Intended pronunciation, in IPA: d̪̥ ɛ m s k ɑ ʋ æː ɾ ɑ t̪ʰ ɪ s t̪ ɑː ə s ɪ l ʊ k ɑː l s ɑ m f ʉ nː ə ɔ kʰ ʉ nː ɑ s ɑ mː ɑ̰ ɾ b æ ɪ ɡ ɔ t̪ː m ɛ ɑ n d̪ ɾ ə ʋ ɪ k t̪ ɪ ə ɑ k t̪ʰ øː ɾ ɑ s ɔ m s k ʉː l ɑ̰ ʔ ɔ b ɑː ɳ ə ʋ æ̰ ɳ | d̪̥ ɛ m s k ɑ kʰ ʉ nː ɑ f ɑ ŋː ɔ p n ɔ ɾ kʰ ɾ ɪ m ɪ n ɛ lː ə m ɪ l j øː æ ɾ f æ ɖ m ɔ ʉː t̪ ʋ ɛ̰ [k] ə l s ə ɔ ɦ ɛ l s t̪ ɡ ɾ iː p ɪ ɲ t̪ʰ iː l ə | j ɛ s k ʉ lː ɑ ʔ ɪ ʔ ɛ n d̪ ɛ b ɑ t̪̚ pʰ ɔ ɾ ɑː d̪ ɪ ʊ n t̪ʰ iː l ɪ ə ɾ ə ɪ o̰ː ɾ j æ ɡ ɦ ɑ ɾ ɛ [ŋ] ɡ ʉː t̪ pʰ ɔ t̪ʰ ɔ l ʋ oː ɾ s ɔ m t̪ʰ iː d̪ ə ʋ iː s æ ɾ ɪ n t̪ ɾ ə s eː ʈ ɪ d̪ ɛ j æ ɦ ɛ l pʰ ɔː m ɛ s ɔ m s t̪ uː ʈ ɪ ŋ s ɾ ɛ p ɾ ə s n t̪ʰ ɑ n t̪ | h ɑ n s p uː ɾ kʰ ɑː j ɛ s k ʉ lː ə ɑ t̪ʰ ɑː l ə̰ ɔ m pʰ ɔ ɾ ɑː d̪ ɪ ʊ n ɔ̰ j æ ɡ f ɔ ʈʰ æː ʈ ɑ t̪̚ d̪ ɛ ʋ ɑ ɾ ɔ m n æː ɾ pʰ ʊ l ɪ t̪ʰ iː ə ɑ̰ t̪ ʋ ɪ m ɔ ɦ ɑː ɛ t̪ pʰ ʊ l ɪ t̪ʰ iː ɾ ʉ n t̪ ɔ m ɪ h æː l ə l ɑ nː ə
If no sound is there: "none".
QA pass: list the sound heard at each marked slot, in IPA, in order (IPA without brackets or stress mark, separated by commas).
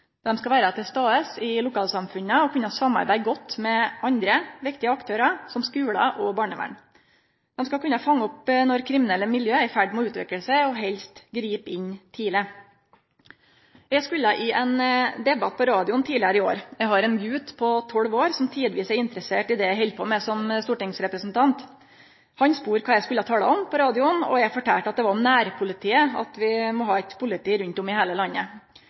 k, n